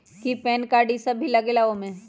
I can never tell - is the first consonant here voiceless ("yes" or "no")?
yes